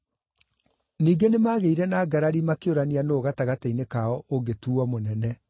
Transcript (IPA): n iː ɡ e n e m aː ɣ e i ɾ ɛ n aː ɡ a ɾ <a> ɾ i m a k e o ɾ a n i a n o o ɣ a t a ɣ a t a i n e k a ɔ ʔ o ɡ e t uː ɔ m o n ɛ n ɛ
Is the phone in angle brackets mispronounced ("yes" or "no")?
no